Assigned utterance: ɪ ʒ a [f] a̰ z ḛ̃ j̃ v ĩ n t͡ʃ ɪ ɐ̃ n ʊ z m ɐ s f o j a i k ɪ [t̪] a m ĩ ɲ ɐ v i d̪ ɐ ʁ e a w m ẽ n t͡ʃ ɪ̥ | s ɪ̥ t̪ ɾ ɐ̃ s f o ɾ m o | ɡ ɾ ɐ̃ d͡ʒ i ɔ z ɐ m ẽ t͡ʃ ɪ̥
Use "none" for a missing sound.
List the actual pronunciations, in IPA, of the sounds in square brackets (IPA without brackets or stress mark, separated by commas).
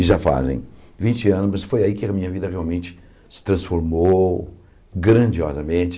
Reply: f, none